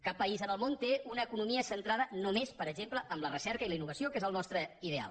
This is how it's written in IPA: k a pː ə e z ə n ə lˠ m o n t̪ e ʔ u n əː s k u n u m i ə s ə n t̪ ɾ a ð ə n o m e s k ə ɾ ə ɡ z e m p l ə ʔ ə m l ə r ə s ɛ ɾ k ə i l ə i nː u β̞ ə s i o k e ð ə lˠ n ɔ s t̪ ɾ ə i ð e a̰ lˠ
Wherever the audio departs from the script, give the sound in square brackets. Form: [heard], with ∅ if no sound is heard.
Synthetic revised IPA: k a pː ə [i] z ə n ə lˠ m o n t̪ e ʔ u n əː [∅] k u n u m i ə s ə n t̪ ɾ a ð ə n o m e s [p] ə ɾ ə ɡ [ʒ] e m p l ə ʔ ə m l ə r ə s ɛ ɾ k ə i l ə i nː u β̞ ə s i o k e [z] ə lˠ n ɔ s t̪ ɾ ə i ð e a̰ lˠ